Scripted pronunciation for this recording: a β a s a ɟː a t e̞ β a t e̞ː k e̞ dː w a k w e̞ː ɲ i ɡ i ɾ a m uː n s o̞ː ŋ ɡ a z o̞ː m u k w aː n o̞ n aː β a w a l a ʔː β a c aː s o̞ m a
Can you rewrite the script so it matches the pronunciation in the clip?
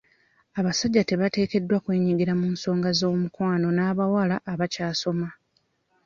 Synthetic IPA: a β a s a ɟː a t e̞ β a t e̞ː k e̞ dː w a k w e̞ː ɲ i ɡ i ɾ a m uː n s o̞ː ŋ ɡ a z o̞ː m u k w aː n o̞ n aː β a w a l a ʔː β a c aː s o̞ m a